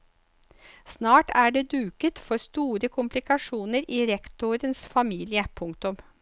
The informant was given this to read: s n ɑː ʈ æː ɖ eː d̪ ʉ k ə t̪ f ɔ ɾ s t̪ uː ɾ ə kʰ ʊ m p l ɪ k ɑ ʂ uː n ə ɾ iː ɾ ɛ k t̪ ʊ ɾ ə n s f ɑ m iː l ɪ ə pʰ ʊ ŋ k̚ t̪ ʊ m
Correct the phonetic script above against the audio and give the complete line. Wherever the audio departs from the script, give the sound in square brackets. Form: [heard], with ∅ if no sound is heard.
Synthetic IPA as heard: s n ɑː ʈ æː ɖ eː d̪ [ʉː] k ə t̪ f ɔ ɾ s t̪ uː ɾ ə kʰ ʊ m p l ɪ k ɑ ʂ uː n ə ɾ iː ɾ ɛ k t̪ ʊ ɾ ə n s f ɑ m iː l ɪ ə pʰ ʊ ŋ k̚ t̪ ʊ m